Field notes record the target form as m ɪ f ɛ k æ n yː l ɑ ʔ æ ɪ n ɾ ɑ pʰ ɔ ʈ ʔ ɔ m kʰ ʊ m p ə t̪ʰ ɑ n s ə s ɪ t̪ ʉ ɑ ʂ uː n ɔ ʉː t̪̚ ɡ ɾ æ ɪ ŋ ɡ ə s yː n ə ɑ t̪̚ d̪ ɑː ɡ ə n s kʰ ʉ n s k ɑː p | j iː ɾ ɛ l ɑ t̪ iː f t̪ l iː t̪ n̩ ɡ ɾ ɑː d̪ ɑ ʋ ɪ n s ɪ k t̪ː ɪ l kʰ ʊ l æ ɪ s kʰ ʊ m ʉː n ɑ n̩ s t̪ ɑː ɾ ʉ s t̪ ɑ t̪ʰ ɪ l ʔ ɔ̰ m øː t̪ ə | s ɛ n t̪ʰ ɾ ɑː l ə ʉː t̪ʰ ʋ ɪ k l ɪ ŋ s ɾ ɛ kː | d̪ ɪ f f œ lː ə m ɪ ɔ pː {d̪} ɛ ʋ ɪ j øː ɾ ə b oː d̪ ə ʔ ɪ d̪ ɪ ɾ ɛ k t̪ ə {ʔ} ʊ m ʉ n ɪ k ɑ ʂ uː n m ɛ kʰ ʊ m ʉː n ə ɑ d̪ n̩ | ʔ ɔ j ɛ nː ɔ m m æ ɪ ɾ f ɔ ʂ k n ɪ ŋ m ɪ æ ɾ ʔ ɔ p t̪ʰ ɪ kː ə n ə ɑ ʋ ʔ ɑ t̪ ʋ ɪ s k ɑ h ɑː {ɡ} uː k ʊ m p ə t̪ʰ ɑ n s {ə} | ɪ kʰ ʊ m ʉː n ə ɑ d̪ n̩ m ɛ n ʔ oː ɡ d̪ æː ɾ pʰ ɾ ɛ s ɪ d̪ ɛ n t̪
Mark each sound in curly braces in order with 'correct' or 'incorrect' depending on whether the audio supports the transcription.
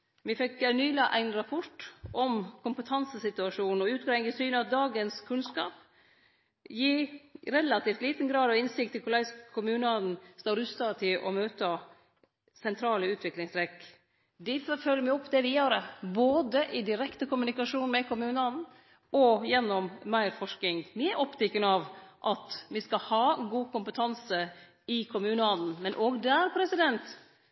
correct, incorrect, correct, correct

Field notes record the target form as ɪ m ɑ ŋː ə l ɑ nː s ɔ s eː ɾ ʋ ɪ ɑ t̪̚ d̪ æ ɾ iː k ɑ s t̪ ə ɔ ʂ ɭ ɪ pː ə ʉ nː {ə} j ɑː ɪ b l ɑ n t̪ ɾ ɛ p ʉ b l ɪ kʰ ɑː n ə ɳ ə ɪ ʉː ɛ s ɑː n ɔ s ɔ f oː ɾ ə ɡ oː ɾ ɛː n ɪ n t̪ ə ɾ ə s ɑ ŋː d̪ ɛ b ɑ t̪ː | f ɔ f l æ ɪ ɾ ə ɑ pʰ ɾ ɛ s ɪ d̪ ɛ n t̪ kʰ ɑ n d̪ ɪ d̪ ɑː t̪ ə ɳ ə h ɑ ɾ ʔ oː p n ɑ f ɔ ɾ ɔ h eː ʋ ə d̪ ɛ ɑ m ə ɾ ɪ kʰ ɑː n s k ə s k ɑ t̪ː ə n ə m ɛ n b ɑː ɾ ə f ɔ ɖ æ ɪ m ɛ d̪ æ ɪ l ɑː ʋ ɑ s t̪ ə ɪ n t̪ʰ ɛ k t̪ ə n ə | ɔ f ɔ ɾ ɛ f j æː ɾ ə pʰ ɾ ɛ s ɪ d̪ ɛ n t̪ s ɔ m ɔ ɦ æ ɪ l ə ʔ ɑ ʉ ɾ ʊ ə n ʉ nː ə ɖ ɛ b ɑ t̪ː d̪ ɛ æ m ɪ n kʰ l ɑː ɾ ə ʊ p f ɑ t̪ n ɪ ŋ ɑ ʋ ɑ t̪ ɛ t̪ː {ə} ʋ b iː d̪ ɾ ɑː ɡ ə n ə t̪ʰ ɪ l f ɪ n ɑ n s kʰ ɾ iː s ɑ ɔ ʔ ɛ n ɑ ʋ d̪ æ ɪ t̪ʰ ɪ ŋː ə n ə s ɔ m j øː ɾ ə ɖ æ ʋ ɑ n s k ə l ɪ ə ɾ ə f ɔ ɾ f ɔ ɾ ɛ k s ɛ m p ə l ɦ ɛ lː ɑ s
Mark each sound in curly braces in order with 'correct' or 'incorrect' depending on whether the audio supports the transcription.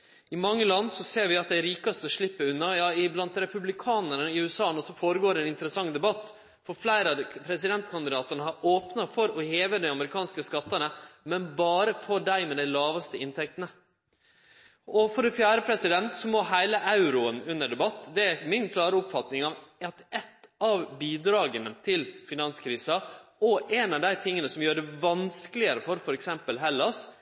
incorrect, incorrect

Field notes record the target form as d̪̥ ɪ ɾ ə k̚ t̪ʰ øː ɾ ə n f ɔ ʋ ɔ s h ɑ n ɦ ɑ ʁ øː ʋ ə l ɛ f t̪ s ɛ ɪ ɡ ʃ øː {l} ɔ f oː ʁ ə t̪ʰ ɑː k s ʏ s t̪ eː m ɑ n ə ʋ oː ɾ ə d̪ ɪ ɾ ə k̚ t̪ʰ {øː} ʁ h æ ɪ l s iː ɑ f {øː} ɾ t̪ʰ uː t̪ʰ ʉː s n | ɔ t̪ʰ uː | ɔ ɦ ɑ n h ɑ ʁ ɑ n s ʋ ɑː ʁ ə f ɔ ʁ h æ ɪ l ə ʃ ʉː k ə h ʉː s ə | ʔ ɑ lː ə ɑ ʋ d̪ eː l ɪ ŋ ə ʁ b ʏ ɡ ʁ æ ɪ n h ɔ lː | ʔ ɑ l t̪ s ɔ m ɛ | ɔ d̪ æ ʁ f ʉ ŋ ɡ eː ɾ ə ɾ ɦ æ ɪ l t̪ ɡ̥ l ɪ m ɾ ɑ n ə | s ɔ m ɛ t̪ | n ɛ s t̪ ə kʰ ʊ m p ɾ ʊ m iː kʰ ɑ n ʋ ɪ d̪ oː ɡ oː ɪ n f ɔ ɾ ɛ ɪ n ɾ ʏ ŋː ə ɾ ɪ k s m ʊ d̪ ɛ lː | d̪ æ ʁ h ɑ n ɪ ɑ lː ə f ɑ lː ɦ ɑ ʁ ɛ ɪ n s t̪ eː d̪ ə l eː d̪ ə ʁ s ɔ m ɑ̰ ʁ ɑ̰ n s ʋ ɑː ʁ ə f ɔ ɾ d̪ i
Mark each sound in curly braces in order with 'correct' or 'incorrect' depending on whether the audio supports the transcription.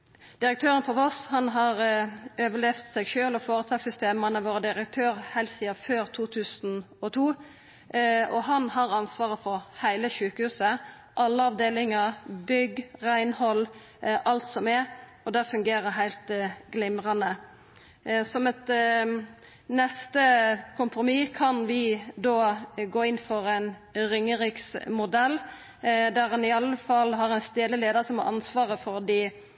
correct, correct, correct

